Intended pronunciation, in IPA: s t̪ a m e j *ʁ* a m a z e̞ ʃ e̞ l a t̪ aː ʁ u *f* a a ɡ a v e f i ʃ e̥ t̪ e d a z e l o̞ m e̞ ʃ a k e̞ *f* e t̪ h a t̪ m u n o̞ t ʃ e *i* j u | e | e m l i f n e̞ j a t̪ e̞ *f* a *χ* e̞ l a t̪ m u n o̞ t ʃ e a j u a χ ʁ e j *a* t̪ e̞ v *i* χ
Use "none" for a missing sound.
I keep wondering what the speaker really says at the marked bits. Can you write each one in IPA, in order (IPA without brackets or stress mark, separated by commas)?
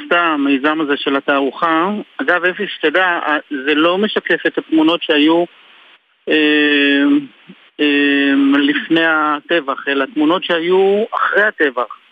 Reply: z, χ, f, a, v, χ, a, a